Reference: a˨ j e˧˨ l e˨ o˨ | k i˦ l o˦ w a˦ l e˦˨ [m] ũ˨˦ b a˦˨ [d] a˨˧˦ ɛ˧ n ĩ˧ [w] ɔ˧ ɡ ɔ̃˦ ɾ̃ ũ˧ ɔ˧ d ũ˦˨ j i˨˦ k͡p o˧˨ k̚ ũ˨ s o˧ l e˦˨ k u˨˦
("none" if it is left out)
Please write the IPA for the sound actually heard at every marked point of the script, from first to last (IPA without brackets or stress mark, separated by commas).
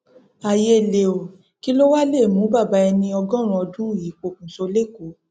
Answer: m, b, none